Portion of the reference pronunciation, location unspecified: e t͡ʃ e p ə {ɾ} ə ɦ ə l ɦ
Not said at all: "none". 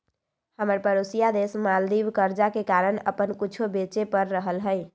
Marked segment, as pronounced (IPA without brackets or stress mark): ɾː